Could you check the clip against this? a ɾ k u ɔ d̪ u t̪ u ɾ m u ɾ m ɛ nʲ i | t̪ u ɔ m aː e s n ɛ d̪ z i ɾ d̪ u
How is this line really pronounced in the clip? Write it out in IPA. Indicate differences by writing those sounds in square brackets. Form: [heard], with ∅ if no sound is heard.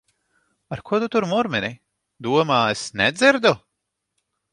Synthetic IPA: a ɾ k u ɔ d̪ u t̪ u ɾ m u ɾ m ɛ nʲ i | [d̪] u ɔ m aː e s n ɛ d̪ z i ɾ d̪ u